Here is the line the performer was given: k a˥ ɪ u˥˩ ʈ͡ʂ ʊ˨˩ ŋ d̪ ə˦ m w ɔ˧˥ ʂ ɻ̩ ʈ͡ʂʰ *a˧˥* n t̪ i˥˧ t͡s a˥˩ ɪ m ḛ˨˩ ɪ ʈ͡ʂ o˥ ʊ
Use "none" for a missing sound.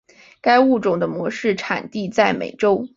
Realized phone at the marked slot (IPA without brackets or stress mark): a˨˩